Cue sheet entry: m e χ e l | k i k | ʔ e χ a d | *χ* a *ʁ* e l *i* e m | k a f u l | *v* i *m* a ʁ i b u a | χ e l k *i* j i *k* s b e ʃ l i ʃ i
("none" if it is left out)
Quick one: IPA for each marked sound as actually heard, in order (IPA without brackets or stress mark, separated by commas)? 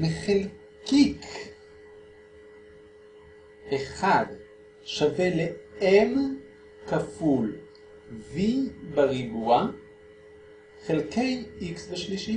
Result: ʃ, v, e, v, b, e, k